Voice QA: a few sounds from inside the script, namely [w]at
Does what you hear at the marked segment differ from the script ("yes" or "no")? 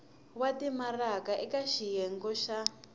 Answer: no